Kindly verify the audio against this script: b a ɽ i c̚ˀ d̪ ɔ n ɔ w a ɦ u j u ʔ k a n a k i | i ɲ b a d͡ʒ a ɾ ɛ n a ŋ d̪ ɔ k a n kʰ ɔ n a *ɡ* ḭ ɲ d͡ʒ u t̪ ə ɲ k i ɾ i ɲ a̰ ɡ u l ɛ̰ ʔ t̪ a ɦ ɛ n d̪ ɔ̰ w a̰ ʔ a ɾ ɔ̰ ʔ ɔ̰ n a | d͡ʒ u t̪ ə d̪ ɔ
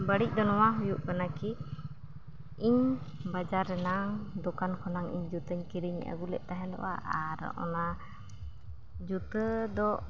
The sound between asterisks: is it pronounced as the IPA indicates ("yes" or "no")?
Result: no